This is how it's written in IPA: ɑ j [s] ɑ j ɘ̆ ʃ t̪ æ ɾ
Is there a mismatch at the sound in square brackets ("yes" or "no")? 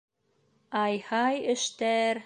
yes